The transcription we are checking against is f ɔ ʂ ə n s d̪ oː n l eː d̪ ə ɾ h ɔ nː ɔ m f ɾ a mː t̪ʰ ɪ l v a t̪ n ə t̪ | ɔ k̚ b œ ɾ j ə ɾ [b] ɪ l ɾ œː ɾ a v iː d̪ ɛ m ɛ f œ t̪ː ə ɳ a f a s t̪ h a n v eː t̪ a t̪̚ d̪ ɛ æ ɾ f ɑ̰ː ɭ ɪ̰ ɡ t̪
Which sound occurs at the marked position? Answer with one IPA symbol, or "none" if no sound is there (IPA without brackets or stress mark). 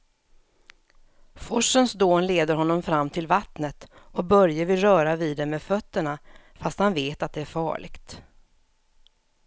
v